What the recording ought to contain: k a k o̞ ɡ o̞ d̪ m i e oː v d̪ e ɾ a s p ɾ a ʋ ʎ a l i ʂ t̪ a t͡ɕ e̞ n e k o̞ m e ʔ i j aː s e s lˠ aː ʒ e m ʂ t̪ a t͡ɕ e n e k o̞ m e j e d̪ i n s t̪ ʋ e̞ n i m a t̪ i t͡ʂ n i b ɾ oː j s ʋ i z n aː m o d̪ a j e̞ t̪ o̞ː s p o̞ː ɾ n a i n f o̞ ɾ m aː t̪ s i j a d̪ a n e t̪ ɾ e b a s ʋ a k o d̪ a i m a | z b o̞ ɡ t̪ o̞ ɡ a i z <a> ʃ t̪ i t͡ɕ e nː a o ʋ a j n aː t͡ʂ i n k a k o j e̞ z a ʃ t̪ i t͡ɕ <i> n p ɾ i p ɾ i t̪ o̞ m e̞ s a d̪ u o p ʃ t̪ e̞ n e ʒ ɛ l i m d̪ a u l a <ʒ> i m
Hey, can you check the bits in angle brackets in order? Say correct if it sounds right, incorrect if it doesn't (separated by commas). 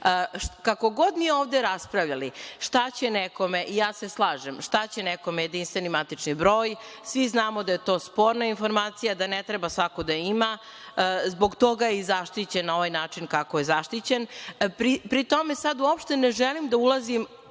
correct, incorrect, incorrect